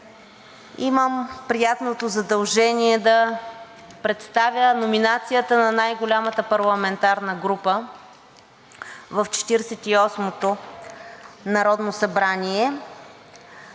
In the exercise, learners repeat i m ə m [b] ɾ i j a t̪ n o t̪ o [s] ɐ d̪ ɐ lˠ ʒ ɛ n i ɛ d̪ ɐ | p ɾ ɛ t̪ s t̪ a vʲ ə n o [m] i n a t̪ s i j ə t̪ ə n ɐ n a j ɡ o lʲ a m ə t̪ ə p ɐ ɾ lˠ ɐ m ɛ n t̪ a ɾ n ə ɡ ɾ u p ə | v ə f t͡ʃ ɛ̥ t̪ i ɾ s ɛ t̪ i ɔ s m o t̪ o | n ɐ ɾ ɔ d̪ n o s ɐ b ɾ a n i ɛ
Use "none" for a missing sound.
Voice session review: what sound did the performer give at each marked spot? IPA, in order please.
p, z, m

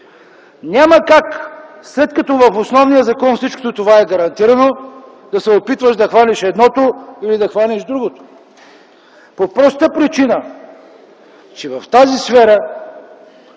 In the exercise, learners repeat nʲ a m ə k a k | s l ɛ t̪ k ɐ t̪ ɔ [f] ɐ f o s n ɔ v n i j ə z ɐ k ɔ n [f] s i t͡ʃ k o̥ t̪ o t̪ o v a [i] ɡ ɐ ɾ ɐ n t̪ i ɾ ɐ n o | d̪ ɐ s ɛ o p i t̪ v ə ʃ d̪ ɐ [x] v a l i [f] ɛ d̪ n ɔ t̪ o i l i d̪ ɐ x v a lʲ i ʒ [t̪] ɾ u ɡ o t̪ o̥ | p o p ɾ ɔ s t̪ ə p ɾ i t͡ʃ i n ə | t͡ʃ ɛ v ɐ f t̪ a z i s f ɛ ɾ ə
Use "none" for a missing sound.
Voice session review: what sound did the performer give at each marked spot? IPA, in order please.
v, f, ɛ, x, ʃ, d̪

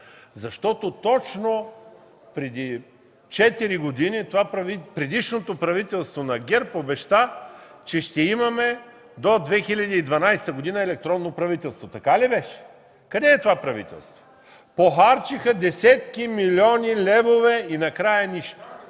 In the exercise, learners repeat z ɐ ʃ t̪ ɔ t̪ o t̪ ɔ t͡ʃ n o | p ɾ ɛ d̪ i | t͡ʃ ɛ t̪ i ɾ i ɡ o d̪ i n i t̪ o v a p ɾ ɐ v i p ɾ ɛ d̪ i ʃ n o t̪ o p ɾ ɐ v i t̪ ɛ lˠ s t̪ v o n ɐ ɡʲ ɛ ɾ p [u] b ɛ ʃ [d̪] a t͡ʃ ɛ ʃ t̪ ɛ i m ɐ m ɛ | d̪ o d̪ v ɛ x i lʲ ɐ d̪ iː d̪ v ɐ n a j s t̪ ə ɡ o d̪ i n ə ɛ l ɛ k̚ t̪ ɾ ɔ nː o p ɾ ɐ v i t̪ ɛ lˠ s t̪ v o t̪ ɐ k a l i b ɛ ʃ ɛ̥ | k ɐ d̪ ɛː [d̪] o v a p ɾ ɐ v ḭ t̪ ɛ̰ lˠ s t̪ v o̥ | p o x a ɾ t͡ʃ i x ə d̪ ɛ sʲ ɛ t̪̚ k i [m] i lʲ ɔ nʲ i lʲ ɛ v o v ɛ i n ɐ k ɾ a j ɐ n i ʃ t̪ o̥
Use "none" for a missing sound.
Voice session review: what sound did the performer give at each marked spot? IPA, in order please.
o, t̪, t̪, m

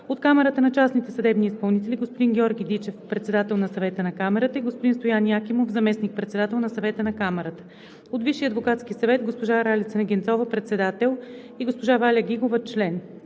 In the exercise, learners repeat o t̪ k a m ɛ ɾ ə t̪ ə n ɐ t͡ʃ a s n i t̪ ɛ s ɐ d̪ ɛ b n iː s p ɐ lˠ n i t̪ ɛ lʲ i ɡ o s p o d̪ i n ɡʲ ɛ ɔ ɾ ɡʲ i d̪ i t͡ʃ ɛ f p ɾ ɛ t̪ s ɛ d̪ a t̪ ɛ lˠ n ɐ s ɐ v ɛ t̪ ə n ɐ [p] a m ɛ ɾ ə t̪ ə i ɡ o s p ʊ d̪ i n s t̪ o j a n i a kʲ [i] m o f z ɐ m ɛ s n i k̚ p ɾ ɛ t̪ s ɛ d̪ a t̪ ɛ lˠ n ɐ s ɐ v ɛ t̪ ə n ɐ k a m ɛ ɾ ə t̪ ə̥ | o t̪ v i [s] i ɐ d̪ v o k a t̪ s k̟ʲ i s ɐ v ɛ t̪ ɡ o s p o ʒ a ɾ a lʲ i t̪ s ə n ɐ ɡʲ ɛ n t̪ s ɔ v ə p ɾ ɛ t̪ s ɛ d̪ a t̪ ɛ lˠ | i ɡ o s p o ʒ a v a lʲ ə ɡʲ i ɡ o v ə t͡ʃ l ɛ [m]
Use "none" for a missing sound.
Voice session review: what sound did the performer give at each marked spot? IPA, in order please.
k, i, ʃ, n

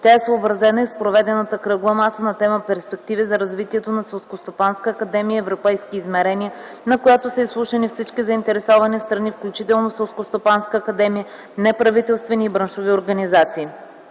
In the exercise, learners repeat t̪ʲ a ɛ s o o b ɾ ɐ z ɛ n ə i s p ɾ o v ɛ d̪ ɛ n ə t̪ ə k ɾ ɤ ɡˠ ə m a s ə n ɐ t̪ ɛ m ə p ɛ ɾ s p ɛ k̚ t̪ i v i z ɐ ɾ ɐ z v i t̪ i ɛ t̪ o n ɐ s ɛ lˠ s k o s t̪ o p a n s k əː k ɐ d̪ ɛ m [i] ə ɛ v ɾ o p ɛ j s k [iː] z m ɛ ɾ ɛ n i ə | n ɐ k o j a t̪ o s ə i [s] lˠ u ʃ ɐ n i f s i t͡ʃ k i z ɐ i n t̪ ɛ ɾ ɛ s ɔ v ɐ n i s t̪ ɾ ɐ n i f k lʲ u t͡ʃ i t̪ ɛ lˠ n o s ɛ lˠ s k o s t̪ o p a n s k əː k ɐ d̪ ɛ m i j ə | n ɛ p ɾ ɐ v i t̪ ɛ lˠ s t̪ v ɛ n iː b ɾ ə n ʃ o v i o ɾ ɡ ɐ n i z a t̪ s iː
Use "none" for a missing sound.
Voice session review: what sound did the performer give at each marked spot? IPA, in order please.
i, iː, s

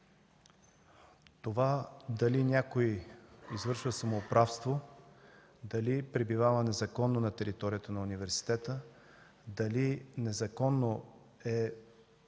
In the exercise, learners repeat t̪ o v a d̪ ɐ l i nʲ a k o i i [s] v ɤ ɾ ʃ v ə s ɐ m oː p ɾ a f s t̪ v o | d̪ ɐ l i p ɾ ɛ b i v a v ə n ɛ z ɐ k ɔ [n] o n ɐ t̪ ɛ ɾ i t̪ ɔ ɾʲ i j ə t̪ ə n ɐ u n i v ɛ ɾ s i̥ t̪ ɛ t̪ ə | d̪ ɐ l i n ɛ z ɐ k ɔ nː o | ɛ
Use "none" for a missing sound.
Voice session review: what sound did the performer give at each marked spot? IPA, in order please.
z, nː

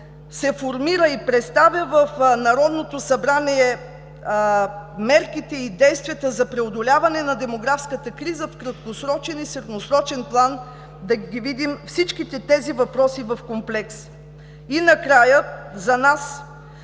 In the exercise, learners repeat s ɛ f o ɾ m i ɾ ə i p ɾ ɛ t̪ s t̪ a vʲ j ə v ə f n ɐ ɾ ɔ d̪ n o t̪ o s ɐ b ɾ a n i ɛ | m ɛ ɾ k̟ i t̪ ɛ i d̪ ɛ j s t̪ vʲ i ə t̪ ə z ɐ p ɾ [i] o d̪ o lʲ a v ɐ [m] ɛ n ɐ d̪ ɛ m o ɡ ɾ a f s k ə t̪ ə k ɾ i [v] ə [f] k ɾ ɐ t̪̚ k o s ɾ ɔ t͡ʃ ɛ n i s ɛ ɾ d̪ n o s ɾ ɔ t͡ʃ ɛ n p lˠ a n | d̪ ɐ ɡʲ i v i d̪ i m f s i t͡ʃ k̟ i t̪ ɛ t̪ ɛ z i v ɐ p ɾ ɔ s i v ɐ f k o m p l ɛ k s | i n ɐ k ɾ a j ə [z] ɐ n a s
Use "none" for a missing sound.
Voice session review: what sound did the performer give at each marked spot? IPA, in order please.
ɛ, n, z, f, z

